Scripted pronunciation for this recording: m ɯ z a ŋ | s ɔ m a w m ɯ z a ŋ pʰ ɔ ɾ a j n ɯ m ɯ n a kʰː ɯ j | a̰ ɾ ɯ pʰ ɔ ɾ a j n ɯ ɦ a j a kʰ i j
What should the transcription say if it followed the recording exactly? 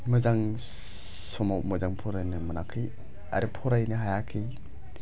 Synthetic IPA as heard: m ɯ z a ŋ | s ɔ m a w m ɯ z a ŋ pʰ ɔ ɾ a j n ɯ m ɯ n a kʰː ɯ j | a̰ ɾ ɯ pʰ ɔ ɾ a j n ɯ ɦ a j a kʰ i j